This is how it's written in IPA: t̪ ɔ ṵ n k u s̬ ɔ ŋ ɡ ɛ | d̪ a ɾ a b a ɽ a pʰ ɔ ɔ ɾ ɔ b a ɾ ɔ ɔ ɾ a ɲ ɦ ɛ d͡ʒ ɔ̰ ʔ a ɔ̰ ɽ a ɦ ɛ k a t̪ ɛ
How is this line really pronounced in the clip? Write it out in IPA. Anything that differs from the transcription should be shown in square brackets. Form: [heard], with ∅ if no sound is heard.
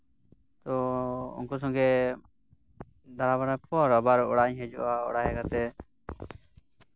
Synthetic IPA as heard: t̪ ɔ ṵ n k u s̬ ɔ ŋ ɡ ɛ | d̪ a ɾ a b a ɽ a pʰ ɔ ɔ ɾ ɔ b a ɾ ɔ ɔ [ɽ] a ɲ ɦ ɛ d͡ʒ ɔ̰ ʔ a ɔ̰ ɽ a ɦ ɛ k a t̪ ɛ